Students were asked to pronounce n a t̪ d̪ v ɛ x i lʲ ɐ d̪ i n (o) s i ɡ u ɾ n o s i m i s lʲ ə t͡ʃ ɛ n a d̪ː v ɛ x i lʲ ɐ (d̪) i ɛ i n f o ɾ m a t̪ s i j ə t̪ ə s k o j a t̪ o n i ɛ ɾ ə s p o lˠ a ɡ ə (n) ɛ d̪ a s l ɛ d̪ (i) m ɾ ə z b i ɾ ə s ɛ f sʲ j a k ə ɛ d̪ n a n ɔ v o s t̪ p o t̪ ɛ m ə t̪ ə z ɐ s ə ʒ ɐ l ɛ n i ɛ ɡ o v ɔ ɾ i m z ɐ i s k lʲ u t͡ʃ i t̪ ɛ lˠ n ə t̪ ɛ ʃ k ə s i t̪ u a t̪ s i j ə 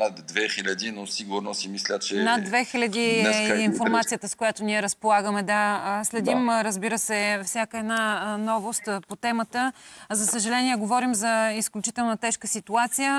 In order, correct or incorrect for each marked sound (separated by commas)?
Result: correct, correct, incorrect, correct